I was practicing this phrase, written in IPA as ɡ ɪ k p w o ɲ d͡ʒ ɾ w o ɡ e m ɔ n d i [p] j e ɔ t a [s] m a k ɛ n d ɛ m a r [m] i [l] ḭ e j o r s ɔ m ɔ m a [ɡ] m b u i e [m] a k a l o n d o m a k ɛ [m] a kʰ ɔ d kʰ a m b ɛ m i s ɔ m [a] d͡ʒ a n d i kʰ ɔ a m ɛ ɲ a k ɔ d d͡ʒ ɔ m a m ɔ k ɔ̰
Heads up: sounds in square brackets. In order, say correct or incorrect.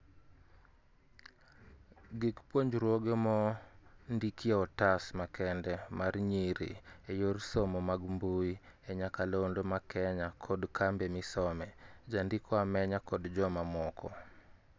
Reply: incorrect, correct, incorrect, incorrect, correct, incorrect, incorrect, incorrect

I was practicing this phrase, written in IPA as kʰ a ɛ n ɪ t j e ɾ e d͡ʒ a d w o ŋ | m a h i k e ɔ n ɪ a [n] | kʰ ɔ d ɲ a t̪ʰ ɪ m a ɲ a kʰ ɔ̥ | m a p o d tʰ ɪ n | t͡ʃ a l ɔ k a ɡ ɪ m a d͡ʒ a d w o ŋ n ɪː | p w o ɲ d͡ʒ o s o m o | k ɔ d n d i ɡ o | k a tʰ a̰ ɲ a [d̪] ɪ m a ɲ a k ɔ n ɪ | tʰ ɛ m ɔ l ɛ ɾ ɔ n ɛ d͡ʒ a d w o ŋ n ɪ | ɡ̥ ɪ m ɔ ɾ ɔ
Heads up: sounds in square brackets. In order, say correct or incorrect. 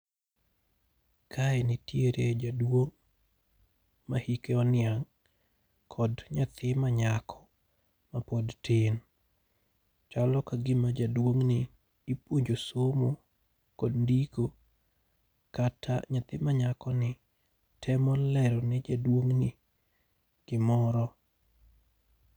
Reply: incorrect, incorrect

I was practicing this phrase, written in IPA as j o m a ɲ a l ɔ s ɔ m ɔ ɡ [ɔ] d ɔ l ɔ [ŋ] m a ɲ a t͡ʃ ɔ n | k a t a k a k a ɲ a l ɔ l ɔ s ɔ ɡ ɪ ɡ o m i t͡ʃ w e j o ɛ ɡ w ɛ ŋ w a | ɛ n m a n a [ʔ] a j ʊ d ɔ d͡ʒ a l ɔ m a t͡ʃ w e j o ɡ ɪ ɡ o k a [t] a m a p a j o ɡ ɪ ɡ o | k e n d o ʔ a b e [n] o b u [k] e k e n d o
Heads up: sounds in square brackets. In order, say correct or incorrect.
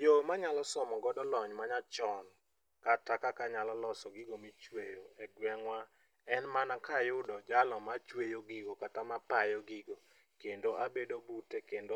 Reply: correct, incorrect, incorrect, correct, incorrect, incorrect

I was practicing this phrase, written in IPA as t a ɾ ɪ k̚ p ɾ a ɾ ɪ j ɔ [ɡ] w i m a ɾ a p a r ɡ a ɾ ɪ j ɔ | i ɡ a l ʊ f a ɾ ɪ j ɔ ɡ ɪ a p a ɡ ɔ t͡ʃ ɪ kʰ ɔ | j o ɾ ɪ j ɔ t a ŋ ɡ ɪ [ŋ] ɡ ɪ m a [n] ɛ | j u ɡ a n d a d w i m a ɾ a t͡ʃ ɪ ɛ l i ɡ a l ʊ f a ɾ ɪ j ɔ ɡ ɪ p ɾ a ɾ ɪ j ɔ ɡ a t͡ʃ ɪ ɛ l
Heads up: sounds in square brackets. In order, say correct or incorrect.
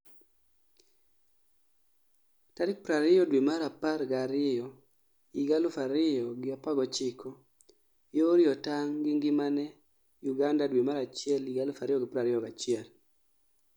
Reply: incorrect, correct, correct

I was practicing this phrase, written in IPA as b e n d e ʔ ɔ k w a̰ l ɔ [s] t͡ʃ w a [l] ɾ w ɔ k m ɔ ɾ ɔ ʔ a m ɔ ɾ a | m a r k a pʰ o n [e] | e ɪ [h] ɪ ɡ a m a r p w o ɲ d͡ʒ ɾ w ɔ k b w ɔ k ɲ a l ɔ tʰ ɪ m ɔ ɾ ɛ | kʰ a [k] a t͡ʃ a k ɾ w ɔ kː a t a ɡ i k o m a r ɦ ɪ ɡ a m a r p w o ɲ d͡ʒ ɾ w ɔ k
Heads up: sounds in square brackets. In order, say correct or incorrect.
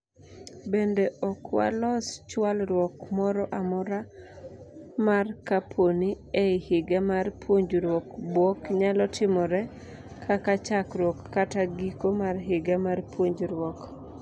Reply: correct, correct, incorrect, correct, correct

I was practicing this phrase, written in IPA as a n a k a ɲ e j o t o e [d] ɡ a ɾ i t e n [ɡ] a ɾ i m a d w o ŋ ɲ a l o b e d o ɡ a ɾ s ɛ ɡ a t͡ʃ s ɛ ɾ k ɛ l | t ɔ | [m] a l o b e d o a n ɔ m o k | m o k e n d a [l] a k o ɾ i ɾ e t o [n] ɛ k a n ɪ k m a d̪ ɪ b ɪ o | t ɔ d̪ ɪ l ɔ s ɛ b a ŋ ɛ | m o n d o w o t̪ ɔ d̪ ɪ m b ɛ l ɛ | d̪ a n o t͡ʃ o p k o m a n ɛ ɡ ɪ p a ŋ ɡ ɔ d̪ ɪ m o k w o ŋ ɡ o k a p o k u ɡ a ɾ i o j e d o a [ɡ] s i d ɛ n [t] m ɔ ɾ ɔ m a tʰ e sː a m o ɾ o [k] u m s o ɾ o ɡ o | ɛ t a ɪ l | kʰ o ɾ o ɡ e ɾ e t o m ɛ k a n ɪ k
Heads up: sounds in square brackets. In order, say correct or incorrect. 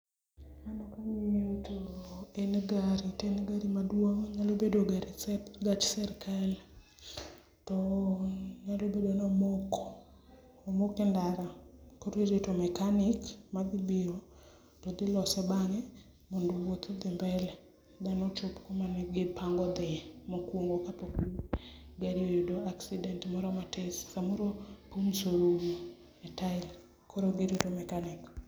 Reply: incorrect, correct, incorrect, incorrect, incorrect, incorrect, correct, incorrect

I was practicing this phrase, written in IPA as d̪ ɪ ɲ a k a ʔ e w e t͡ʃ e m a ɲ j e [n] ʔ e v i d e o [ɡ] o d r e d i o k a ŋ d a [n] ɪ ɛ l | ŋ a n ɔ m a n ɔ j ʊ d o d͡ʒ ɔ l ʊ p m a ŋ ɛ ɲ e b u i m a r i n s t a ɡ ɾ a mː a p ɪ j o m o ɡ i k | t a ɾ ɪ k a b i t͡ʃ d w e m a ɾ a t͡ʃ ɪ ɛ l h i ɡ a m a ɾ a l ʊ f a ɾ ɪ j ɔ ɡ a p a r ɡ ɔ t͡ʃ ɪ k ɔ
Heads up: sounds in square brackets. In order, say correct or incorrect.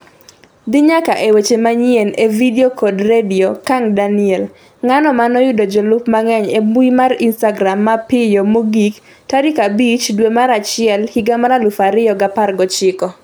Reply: correct, incorrect, correct

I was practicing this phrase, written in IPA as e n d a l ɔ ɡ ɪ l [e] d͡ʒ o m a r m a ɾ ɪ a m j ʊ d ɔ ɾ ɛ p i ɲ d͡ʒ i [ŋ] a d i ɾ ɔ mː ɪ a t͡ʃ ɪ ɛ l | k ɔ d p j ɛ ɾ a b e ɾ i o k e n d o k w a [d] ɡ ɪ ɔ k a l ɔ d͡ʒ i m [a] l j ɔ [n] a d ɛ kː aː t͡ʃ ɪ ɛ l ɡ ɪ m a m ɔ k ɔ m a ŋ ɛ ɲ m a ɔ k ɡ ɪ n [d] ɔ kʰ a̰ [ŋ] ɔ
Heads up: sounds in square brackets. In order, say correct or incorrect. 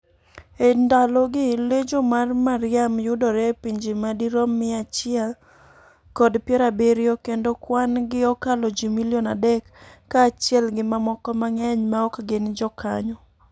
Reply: correct, incorrect, incorrect, incorrect, correct, incorrect, incorrect

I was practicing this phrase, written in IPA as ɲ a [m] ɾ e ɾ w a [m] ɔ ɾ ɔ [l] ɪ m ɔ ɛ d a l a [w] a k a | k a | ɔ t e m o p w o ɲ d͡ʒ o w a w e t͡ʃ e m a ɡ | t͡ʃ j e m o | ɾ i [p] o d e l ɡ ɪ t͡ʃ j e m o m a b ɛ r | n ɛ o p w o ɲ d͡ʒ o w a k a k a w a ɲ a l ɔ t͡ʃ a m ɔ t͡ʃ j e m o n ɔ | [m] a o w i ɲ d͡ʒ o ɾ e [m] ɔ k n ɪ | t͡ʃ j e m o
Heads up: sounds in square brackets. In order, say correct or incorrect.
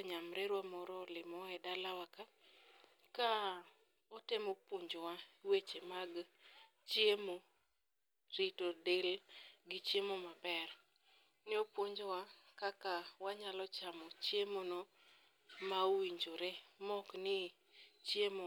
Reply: correct, correct, correct, correct, incorrect, correct, correct

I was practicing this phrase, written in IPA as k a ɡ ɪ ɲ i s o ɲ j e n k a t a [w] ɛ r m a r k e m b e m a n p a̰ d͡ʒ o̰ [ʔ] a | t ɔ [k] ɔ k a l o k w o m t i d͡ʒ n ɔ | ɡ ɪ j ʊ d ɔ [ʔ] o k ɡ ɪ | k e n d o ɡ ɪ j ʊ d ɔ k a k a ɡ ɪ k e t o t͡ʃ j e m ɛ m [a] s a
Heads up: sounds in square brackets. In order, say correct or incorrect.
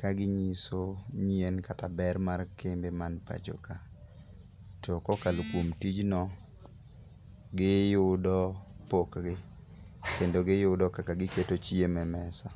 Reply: incorrect, incorrect, correct, incorrect, incorrect

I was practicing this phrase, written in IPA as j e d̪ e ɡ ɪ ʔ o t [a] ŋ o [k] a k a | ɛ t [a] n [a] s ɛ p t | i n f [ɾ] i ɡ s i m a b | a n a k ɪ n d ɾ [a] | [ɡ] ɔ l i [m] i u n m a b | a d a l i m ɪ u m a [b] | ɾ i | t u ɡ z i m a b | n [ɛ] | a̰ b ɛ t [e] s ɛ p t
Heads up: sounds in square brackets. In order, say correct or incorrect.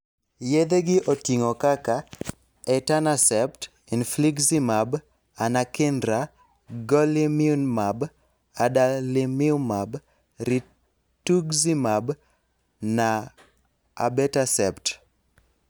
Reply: incorrect, correct, correct, correct, incorrect, correct, correct, correct, correct, incorrect, incorrect

